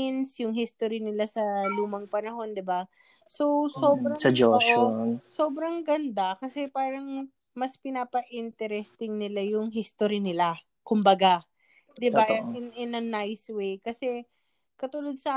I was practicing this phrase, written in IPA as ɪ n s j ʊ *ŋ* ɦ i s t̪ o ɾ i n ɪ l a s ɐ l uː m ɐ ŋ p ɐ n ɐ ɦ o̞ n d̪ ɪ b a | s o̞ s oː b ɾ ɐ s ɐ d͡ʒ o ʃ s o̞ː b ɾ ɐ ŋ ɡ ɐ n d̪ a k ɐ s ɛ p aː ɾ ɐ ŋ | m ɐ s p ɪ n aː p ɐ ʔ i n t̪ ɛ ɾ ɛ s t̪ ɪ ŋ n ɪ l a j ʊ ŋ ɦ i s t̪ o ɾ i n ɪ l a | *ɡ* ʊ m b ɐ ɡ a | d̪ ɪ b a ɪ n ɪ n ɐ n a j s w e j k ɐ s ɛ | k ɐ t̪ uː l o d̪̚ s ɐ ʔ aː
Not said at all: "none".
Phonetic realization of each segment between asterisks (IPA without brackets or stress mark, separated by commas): ŋ, k